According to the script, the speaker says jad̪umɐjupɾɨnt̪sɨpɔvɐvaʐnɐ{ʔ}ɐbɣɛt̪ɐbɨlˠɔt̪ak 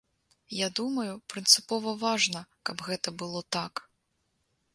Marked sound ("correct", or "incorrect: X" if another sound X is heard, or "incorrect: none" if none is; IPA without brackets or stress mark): incorrect: k